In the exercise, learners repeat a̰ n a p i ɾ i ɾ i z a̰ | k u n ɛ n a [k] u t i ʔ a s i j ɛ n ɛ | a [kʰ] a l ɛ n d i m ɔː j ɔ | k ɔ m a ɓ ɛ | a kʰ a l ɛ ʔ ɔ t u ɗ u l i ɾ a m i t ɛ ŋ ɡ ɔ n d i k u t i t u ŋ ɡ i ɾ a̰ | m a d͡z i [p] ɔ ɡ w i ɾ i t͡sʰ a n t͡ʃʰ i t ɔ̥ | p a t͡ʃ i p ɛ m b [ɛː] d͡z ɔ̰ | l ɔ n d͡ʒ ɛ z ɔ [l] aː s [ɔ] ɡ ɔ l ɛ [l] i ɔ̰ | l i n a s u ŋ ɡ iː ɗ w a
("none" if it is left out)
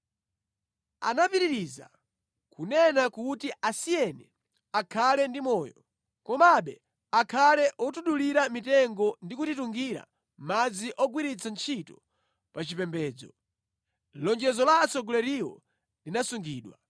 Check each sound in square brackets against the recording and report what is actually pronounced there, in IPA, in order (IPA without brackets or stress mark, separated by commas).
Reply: k, kʰ, ʔ, ɛː, l, ɔ, ɾ